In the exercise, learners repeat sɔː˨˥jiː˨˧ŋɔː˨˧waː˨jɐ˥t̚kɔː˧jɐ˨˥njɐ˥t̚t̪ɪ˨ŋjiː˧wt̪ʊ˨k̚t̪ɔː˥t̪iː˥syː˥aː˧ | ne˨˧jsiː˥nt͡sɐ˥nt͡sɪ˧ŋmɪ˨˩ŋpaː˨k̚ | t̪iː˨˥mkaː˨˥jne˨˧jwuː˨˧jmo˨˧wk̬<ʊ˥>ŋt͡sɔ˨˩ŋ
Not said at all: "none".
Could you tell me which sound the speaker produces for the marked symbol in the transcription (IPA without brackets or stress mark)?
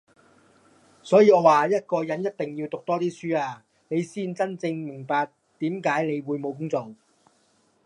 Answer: ʊ˥